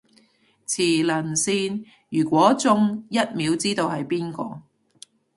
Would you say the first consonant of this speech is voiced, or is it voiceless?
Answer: voiceless